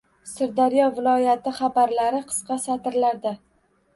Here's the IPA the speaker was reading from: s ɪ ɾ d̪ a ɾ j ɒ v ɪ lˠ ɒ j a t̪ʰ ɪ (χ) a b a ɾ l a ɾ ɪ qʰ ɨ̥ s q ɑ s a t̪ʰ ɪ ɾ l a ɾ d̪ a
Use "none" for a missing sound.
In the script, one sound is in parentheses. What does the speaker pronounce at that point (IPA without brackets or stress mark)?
χ